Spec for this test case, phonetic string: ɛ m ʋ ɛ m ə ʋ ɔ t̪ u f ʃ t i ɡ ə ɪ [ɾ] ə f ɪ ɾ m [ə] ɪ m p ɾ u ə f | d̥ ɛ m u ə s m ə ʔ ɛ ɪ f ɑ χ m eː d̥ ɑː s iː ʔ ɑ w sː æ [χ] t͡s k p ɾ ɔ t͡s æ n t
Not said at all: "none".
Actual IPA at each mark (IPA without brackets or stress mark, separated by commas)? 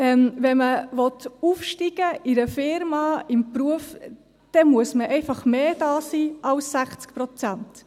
ɾ, ɑ, χ